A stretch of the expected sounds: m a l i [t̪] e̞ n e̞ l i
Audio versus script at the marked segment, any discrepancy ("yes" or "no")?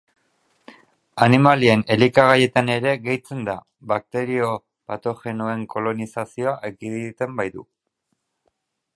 yes